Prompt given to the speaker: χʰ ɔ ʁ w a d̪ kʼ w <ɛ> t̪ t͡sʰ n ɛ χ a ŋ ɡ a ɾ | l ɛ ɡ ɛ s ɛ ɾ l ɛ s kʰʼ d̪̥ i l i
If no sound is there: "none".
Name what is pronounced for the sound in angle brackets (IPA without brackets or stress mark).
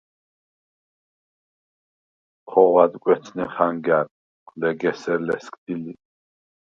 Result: ɛ